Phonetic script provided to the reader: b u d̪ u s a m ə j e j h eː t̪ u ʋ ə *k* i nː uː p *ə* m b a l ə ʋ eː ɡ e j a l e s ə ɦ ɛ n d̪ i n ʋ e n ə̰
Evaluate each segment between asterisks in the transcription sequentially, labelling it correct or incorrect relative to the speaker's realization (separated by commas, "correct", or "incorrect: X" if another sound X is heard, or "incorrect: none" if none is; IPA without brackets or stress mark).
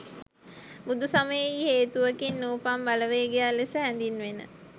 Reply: correct, incorrect: a